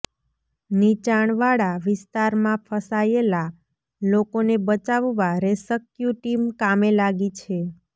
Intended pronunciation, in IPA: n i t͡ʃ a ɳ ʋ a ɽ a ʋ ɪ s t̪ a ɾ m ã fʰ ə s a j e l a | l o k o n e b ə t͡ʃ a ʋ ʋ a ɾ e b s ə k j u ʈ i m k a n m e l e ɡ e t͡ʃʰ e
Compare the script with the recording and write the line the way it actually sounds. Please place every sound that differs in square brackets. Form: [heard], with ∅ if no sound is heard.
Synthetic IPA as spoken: n i t͡ʃ a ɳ ʋ a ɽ a ʋ ɪ s t̪ a ɾ m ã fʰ ə s a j e l a | l o k o n e b ə t͡ʃ a ʋ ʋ a ɾ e [∅] s ə k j u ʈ i m k a [∅] m e l [a] ɡ [i] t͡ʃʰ e